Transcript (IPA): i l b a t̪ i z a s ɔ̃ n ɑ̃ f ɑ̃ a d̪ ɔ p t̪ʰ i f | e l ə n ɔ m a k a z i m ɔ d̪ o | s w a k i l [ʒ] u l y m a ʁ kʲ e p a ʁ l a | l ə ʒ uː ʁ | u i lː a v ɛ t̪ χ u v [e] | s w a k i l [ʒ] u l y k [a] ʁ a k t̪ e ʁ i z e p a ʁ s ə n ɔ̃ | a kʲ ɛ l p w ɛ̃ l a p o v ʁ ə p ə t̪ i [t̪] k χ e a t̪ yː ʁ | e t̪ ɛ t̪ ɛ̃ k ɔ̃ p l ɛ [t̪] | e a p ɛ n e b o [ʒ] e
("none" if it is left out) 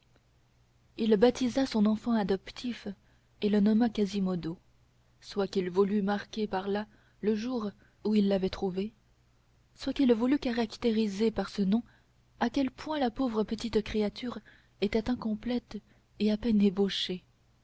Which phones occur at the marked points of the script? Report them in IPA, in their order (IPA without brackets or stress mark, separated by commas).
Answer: v, e, v, a, t̪, t̪, ʃ